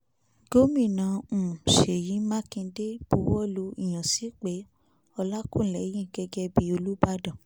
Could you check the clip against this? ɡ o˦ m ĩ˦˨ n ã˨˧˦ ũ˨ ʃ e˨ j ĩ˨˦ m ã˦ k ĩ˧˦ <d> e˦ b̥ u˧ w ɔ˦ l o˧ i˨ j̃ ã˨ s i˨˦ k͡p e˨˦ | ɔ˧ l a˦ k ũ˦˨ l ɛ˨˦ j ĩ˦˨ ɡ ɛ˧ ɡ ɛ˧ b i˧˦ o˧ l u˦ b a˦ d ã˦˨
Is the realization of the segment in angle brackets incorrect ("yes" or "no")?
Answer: no